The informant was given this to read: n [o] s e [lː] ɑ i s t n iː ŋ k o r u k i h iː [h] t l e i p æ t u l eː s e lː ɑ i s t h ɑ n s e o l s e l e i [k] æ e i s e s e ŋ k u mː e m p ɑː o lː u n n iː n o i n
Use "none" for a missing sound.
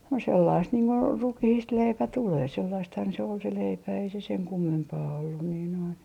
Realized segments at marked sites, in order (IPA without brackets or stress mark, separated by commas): o, lː, s, p